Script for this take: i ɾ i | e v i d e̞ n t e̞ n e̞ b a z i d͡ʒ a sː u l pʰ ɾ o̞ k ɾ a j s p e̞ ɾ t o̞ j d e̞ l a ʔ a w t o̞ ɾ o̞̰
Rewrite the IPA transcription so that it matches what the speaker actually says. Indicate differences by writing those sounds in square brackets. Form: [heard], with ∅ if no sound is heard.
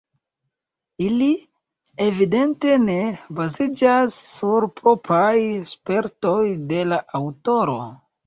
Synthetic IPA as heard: i [l] i | e v i d e̞ n t e̞ n e̞ b a z i d͡ʒ a sː u [ɾ] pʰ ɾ o̞ [p] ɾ a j s p e̞ ɾ t o̞ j d e̞ l a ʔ a w t o̞ ɾ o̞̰